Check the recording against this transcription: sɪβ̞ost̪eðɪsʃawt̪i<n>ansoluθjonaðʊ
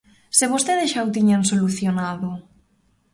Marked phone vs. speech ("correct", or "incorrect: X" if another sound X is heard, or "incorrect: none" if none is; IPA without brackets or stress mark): incorrect: ɲ